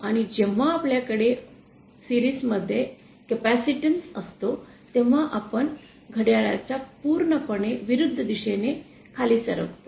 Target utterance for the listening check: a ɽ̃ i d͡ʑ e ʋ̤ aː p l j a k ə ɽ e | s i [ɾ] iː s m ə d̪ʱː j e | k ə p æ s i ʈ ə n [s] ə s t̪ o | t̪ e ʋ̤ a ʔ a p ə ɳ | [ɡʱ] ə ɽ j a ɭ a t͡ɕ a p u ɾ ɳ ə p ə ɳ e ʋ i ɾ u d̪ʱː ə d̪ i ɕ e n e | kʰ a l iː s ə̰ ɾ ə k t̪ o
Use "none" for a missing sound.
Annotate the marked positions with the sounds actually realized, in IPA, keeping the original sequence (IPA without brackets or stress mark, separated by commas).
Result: ɾ, s, ɡʱ